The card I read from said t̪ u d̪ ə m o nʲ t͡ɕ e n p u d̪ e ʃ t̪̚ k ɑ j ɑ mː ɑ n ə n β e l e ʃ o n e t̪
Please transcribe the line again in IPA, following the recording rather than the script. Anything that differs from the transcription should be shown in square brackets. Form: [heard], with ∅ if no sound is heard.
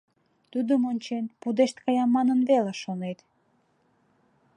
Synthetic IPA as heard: t̪ u d̪ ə m o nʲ t͡ɕ e n p u d̪ e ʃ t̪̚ k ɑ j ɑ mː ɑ n ə n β e l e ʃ o n e t̪

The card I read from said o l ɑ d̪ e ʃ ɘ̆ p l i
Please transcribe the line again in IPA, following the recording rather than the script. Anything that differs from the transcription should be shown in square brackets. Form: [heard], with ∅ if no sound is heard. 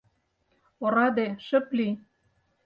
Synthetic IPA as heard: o [ɾ] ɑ d̪ e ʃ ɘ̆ p l i

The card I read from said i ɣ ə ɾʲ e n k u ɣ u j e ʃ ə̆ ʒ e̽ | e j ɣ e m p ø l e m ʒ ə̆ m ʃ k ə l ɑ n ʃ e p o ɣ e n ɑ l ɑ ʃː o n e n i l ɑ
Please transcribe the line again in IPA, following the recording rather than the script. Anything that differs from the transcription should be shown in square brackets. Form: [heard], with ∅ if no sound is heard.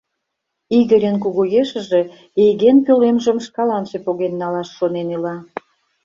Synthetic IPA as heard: i ɣ ə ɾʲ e n k u ɣ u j e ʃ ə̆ ʒ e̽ | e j ɣ e [n] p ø l e m ʒ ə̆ m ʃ k [ɑ] l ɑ n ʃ e p o ɣ e [nː] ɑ l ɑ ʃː o n e n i l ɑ

